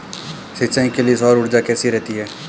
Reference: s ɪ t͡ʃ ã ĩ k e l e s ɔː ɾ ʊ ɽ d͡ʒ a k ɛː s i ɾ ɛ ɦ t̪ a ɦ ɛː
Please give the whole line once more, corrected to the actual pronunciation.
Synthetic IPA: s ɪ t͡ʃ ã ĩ k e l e s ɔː ɾ ʊ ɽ d͡ʒ a k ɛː s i ɾ ɛ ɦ t̪ i ɦ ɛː